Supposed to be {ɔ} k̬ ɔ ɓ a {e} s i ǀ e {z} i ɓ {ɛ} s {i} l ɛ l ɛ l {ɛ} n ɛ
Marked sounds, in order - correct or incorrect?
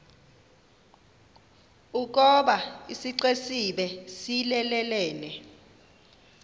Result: incorrect, incorrect, incorrect, correct, correct, incorrect

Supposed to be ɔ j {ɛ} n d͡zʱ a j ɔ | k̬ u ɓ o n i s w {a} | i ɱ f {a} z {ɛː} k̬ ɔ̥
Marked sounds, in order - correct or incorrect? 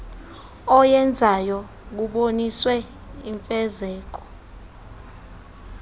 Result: correct, incorrect, incorrect, correct

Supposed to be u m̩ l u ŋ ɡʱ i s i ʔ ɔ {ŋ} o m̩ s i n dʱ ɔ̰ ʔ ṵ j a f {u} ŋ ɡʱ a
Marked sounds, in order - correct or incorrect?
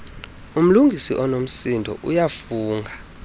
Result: incorrect, incorrect

